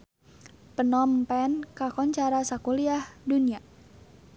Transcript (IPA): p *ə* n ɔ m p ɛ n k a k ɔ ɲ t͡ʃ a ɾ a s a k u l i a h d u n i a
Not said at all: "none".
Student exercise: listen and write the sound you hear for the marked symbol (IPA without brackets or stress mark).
ə